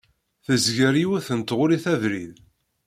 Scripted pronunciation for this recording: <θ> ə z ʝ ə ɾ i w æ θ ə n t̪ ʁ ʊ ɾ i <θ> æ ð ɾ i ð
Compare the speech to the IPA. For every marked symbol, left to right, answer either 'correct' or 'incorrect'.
correct, correct

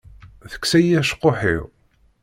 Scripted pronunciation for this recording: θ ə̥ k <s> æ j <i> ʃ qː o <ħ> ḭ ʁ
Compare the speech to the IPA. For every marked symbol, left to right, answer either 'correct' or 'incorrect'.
correct, incorrect: æ, correct

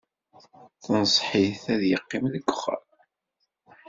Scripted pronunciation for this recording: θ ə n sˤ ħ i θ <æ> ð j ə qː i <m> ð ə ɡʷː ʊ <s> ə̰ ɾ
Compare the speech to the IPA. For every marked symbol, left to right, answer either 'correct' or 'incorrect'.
correct, correct, incorrect: χ

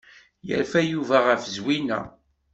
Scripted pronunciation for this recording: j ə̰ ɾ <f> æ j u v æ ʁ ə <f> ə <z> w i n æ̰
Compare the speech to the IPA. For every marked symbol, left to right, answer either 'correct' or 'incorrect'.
correct, correct, correct

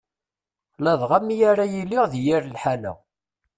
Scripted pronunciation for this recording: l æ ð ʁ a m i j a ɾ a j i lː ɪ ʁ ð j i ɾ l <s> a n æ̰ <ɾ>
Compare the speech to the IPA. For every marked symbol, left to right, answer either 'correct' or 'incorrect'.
incorrect: ħ, incorrect: none

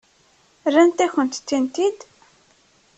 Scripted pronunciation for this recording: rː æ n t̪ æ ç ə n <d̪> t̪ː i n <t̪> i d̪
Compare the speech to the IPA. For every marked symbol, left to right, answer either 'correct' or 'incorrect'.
incorrect: t̪, correct

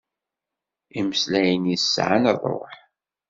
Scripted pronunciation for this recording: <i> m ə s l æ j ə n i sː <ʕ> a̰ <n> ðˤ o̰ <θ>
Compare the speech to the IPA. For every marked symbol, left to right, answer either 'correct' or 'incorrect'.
correct, correct, correct, incorrect: ħ

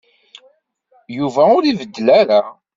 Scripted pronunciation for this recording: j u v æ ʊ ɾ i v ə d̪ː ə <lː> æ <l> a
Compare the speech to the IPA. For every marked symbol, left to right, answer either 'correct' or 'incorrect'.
incorrect: l, incorrect: ɾ

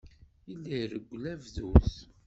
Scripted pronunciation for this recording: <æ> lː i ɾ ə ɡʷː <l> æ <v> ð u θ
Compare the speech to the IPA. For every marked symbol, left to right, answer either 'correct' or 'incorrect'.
incorrect: i, correct, correct

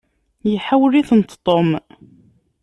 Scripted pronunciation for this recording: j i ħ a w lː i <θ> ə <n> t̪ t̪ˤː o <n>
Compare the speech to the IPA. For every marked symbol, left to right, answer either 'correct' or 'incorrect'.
correct, correct, incorrect: m

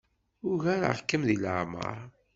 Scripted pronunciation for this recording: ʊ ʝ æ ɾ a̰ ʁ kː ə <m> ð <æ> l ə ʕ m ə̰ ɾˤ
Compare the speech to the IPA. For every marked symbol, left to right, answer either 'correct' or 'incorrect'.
correct, incorrect: i

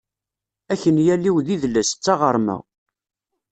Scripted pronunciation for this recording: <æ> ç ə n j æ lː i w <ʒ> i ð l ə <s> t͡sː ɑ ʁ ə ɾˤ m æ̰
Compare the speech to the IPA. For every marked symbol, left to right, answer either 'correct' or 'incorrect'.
correct, incorrect: ð, correct

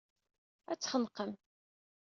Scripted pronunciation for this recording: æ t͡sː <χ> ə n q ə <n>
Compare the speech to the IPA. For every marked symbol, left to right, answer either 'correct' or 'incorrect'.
correct, incorrect: m

